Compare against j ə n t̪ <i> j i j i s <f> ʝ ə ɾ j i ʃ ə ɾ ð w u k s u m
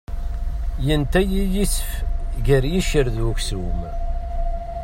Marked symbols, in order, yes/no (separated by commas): no, yes